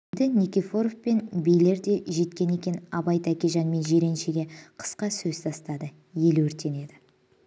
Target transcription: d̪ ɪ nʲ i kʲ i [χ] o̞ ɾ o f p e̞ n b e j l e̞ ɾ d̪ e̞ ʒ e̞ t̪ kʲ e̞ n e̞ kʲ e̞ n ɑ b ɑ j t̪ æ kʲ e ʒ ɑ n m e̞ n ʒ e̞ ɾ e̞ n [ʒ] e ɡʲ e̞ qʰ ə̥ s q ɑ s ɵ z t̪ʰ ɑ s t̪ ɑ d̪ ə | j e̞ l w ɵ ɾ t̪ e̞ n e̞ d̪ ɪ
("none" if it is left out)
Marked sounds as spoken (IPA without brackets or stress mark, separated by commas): f, ʃ